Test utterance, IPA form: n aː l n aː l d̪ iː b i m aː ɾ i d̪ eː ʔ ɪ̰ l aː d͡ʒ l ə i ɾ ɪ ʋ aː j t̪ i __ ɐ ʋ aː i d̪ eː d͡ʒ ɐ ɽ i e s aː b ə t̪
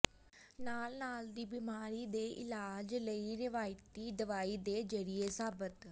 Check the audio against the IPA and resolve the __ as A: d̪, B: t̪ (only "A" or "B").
A